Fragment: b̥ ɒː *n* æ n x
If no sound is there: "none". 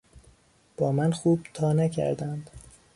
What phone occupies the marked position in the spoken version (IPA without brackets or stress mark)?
m